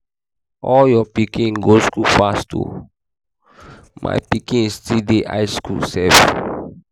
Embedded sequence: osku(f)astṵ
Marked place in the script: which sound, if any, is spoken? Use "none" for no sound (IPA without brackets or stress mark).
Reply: f